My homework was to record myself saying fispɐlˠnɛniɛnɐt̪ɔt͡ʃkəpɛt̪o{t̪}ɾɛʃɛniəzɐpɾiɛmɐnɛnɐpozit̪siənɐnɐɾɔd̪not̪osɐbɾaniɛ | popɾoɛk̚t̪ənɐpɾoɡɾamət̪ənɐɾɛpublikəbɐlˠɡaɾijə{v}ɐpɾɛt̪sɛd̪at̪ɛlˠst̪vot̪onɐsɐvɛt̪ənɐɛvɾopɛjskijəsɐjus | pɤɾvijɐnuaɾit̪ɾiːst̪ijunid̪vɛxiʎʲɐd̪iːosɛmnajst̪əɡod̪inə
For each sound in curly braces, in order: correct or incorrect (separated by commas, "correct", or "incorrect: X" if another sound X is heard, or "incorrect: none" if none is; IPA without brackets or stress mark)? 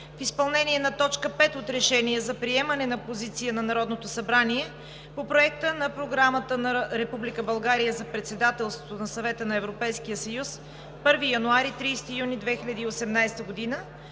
correct, incorrect: z